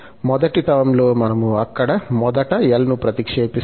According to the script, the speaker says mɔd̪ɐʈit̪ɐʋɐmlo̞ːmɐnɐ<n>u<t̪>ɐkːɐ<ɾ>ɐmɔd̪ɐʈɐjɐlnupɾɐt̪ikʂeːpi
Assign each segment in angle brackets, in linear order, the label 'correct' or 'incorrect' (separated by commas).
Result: incorrect, incorrect, incorrect